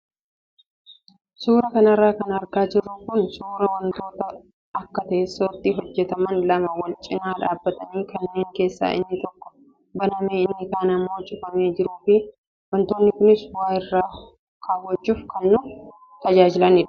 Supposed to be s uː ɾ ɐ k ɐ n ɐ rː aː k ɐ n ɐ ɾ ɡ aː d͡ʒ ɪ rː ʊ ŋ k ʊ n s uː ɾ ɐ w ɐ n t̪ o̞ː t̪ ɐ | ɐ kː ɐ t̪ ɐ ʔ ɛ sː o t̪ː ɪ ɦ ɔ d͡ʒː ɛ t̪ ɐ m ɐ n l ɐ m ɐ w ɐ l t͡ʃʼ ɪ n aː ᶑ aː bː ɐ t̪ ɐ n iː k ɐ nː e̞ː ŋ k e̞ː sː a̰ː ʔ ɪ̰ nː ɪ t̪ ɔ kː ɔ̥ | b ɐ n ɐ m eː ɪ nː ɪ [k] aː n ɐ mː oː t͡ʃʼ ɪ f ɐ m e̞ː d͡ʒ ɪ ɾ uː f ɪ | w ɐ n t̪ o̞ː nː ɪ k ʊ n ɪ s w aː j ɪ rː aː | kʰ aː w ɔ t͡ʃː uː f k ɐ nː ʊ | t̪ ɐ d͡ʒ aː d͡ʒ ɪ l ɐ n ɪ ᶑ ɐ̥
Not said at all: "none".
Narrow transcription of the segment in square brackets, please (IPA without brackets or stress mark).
k